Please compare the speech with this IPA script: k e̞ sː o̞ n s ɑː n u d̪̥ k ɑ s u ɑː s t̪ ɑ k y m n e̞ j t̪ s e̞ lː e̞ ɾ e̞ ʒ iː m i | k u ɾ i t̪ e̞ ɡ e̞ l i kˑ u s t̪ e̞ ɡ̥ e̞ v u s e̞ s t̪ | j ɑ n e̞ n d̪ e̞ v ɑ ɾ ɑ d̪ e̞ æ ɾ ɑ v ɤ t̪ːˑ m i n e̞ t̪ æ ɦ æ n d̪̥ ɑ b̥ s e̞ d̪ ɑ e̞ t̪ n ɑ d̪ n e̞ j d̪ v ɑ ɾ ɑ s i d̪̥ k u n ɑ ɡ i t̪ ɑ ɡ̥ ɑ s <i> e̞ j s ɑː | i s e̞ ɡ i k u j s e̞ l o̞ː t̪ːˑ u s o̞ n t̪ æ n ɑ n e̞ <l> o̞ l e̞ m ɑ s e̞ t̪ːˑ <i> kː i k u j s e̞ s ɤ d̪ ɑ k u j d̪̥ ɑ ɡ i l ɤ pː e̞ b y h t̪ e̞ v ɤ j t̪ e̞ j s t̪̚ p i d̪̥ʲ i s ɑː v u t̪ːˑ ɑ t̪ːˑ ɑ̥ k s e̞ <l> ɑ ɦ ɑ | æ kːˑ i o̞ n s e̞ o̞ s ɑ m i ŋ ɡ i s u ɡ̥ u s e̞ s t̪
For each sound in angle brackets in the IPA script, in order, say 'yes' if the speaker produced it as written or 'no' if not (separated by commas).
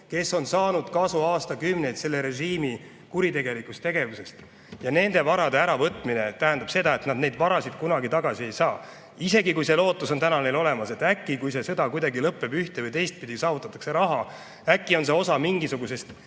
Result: yes, yes, no, no